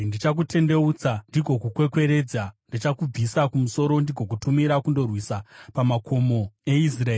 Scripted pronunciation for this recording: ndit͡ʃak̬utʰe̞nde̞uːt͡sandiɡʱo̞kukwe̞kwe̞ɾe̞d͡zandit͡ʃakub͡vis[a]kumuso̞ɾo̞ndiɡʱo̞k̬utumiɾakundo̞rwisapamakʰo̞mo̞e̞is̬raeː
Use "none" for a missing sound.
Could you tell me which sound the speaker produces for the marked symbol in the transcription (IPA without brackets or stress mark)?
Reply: a